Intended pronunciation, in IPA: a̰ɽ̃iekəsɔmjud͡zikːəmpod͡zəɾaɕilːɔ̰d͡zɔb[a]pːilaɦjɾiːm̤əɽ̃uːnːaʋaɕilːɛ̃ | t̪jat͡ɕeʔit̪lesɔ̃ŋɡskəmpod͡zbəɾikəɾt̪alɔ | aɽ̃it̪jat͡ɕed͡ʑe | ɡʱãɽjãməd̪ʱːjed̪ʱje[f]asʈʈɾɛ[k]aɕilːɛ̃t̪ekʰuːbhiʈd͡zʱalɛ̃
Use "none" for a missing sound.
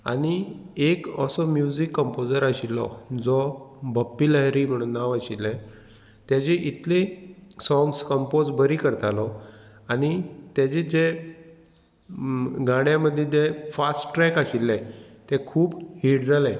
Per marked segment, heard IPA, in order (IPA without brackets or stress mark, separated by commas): ə, f, k